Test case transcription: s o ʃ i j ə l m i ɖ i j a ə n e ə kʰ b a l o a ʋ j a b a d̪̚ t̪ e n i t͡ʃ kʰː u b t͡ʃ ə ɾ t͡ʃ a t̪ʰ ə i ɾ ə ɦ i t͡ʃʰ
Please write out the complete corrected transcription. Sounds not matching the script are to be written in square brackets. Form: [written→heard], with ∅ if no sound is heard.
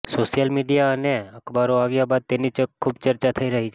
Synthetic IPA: s o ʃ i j ə l m i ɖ i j a ə n e ə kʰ b a [l→ɾ] o a ʋ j a b a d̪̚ t̪ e n i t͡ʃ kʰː u b t͡ʃ ə ɾ t͡ʃ a t̪ʰ ə i ɾ ə ɦ i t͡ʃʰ

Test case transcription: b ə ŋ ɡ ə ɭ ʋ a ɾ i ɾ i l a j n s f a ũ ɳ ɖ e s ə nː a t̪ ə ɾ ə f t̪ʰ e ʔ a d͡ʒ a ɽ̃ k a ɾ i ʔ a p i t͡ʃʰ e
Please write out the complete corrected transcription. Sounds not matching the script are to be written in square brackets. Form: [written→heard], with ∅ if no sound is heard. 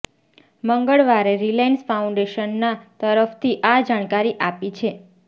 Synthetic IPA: [b→m] ə ŋ ɡ ə ɭ ʋ a ɾ [i→e] ɾ i l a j n s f a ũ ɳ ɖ e [s→ʃ] ə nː a t̪ ə ɾ ə f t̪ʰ [e→i] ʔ a d͡ʒ a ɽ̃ k a ɾ i ʔ a p i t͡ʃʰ e

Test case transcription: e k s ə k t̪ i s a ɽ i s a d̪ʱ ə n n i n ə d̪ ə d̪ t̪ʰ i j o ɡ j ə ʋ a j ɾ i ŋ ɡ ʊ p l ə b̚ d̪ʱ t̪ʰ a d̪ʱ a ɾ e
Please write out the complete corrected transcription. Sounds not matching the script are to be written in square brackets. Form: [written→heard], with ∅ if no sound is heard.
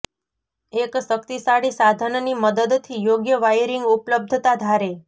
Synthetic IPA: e k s ə k t̪ i s a ɽ i s a d̪ʱ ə n n i [n→m] ə d̪ ə d̪ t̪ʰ i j o ɡ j ə ʋ a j ɾ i ŋ ɡ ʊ p l ə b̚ d̪ʱ [t̪ʰ→t̪] a d̪ʱ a ɾ e

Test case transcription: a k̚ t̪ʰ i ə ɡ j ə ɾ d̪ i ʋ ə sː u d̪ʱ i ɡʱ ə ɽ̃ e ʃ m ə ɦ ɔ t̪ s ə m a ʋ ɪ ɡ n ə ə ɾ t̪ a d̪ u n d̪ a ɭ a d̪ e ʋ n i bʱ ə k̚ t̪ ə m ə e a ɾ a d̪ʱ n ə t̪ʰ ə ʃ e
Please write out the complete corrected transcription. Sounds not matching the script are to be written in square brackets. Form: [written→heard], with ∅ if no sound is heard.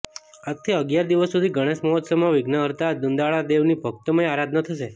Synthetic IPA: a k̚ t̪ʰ i ə ɡ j [ə→a] ɾ d̪ i ʋ ə sː u d̪ʱ i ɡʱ ə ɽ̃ e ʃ m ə ɦ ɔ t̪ s ə m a ʋ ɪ ɡ n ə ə ɾ t̪ a d̪ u n d̪ a ɭ a d̪ e ʋ n i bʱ ə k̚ t̪ ə m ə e a ɾ a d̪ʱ n ə t̪ʰ ə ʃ e

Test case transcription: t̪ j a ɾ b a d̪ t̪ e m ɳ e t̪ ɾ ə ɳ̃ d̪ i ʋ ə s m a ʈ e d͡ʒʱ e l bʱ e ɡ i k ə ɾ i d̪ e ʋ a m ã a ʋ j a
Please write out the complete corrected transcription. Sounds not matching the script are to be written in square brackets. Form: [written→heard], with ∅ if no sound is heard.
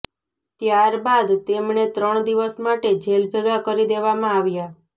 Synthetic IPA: t̪ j a ɾ b a d̪ t̪ e m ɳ e t̪ ɾ ə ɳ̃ d̪ i ʋ ə s m a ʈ e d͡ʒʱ e l bʱ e ɡ [i→a] k ə ɾ i d̪ e ʋ a m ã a ʋ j a

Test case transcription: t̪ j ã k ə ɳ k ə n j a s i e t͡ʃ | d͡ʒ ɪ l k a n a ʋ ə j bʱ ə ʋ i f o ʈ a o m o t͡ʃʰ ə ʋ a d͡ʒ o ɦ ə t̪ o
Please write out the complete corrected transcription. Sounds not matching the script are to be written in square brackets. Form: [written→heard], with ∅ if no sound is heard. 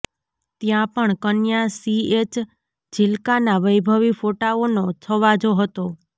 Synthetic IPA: t̪ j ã [k→p] ə ɳ k ə n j a s i e t͡ʃ | d͡ʒ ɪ l k a n a ʋ ə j bʱ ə ʋ i f o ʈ a o [m→n] o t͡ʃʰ ə ʋ a d͡ʒ o ɦ ə t̪ o

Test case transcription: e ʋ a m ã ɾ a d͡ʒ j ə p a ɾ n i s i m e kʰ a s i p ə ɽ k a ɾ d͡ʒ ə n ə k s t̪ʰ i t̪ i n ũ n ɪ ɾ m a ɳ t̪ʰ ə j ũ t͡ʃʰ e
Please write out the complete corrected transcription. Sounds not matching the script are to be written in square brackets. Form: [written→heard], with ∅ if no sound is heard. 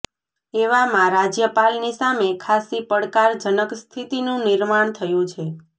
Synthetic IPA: e ʋ a m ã ɾ a d͡ʒ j ə p a [ɾ→l] n i s [i→a] m e kʰ a s i p ə ɽ k a ɾ d͡ʒ ə n ə k s t̪ʰ i t̪ i n ũ n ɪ ɾ m a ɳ t̪ʰ ə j ũ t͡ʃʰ e

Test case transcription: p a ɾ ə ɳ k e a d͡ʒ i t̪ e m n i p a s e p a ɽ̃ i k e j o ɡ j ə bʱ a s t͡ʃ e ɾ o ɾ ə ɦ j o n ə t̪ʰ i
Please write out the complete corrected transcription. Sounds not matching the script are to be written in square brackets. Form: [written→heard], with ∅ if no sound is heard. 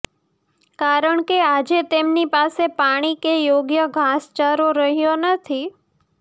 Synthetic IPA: [p→k] a ɾ ə ɳ k e a d͡ʒ [i→e] t̪ e m n i p a s e p a ɽ̃ i k e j o ɡ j ə [bʱ→ɡʱ] a s t͡ʃ [e→a] ɾ o ɾ ə ɦ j o n ə t̪ʰ i

